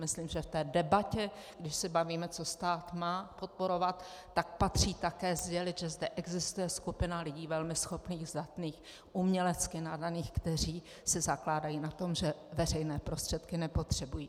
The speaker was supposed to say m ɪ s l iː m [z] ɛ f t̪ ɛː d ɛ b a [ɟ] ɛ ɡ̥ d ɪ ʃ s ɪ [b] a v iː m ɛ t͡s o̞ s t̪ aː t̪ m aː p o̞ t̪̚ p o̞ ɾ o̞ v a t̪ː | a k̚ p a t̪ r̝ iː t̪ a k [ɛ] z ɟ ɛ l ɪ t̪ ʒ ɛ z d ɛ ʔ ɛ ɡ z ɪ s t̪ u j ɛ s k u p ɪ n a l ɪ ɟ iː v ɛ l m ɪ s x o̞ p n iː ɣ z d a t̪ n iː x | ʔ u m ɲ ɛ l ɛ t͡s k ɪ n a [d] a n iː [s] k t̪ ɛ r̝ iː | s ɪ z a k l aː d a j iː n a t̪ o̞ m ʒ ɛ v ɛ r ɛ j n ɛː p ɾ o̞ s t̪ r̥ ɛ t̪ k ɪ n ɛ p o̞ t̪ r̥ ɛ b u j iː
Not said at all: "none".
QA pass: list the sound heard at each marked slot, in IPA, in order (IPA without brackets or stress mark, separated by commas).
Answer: ʒ, c, b, ɛː, d, x